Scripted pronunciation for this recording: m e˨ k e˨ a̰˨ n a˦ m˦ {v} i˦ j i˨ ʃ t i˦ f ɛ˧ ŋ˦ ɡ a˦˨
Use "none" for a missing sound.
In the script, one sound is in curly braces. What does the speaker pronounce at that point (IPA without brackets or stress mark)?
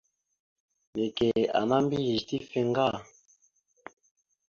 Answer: b